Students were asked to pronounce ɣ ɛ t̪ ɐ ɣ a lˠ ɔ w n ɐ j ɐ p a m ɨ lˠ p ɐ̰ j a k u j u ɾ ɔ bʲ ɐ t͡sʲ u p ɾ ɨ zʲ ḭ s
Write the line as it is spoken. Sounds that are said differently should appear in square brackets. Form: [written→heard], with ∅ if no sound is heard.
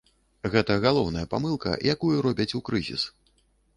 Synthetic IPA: ɣ ɛ t̪ ɐ ɣ a lˠ ɔ w n ɐ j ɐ p a m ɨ lˠ [p→k] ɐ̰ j a k u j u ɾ ɔ bʲ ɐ t͡sʲ u [p→k] ɾ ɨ zʲ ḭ s